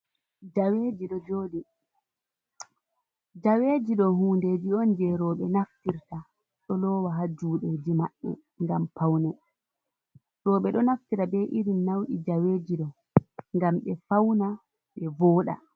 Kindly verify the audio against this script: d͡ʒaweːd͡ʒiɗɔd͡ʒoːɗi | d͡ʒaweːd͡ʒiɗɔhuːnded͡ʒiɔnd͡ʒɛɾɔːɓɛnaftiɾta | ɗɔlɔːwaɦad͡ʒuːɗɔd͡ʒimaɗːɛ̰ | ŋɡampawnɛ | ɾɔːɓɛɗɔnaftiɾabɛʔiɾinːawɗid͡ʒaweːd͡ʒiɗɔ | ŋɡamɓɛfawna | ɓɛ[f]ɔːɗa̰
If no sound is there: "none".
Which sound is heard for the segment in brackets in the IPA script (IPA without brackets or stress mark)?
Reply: v